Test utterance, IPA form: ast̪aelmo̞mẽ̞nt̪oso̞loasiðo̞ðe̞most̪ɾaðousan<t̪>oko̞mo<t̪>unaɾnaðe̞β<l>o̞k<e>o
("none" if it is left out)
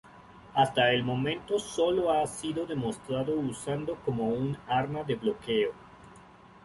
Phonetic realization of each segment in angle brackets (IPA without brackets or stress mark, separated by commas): d̪, none, l, e